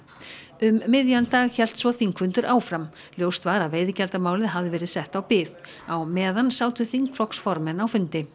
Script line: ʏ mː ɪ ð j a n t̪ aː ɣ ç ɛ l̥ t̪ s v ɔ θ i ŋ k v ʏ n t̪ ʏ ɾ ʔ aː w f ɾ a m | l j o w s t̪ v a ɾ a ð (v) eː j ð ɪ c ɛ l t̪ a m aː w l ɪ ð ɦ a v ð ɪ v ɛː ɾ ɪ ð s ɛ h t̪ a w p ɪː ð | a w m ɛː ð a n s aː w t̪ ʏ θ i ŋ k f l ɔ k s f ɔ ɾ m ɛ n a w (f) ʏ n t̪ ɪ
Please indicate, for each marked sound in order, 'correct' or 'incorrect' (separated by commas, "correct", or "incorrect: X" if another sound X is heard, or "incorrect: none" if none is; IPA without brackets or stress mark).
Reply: correct, correct